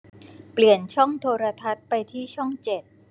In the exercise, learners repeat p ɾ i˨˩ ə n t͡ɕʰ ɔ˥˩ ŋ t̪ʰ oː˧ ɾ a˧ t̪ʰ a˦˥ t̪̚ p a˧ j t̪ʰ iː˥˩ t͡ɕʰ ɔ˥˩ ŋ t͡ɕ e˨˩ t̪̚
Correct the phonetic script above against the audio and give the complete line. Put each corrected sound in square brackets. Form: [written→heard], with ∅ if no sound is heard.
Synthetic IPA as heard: p [ɾ→l] i˨˩ ə n t͡ɕʰ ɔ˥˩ ŋ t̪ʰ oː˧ ɾ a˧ t̪ʰ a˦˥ t̪̚ p a˧ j t̪ʰ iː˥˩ t͡ɕʰ ɔ˥˩ ŋ t͡ɕ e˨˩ t̪̚